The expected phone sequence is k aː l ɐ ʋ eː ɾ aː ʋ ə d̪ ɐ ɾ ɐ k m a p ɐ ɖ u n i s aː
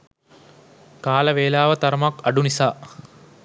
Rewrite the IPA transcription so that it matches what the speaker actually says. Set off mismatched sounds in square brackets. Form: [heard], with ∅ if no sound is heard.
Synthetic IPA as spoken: k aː l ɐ ʋ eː [l] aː ʋ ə [t̪] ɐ ɾ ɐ [∅] m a [k] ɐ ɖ u n i s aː